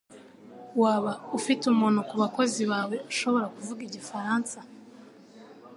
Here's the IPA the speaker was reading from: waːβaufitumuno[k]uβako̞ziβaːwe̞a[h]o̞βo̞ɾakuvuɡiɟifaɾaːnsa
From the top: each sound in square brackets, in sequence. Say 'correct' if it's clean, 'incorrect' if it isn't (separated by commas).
correct, incorrect